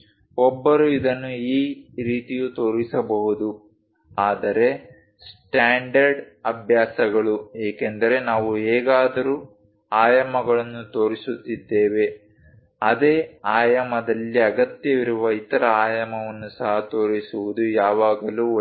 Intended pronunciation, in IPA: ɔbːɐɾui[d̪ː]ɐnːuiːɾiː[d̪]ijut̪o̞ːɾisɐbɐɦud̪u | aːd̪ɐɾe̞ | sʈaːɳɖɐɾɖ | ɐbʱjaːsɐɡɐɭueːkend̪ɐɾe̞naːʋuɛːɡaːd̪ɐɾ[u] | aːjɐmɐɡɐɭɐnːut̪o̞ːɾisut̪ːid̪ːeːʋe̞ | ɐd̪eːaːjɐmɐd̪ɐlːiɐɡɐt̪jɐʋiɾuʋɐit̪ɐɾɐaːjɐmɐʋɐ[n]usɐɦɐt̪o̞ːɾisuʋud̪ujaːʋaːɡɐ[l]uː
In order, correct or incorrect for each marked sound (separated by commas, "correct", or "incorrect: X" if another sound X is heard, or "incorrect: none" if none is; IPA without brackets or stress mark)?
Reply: incorrect: d̪, incorrect: t̪, incorrect: uː, incorrect: nː, correct